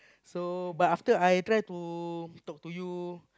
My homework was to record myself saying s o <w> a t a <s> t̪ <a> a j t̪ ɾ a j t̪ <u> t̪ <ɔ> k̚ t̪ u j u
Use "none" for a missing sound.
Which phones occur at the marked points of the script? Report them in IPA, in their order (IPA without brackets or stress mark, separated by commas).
b, f, ə, u, ɔ